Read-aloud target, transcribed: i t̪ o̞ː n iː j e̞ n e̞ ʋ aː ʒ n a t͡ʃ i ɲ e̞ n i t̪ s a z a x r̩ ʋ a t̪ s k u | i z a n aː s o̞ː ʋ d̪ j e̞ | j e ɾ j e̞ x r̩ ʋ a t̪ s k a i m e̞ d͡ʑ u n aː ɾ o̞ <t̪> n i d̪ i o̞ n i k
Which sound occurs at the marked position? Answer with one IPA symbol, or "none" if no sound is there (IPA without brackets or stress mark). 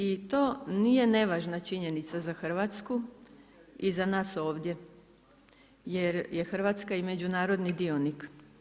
d̪